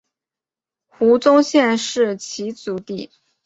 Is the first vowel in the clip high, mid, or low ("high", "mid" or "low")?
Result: high